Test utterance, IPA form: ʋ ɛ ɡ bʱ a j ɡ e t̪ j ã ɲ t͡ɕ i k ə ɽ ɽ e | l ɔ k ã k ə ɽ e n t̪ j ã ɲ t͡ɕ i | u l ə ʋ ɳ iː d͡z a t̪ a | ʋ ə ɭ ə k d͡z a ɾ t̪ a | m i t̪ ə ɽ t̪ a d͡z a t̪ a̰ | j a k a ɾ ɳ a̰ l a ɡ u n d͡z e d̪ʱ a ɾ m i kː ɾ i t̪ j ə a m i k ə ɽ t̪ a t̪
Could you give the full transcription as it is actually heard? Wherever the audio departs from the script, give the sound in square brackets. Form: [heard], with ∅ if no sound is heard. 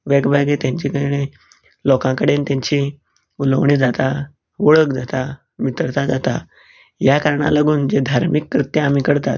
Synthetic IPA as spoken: ʋ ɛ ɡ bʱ a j ɡ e t̪ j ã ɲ t͡ɕ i k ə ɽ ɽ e | l ɔ k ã k ə ɽ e n t̪ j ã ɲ t͡ɕ i | u l ə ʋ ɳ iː d͡z a t̪ a | ʋ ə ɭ ə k d͡z a [∅] t̪ a | m i t̪ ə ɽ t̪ a d͡z a t̪ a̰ | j a k a ɾ ɳ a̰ l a ɡ [uː] n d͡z e d̪ʱ a ɾ m i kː ɾ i t̪ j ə a m i k ə ɽ t̪ a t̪